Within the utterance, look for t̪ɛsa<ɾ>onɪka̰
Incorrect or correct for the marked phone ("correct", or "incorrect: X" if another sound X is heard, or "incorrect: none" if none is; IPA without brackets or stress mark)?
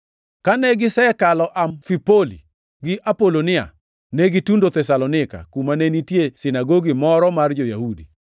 incorrect: l